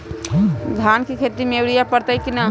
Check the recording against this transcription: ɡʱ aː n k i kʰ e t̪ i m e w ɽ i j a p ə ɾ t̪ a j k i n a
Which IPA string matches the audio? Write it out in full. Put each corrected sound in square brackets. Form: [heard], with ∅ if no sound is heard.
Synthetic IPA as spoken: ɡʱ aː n k i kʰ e t̪ i m e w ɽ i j a p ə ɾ t̪ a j k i n a